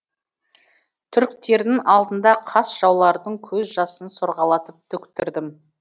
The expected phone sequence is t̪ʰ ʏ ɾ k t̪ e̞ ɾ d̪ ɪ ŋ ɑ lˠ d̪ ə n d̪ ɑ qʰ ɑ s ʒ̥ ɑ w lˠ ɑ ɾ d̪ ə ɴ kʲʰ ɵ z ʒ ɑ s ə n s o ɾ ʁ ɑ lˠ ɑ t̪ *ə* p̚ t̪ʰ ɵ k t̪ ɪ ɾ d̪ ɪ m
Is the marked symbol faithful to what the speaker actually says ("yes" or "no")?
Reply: yes